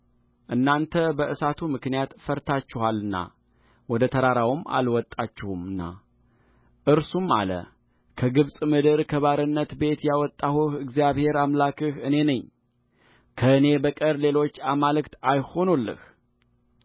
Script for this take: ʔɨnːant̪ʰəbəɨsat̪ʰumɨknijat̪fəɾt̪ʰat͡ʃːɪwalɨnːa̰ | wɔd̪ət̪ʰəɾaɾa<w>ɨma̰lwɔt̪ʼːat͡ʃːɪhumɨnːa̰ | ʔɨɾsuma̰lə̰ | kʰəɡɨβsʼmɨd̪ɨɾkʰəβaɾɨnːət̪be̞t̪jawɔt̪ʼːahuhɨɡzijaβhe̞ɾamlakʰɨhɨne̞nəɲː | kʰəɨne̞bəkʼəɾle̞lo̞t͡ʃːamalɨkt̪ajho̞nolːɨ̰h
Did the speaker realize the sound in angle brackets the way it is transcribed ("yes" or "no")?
yes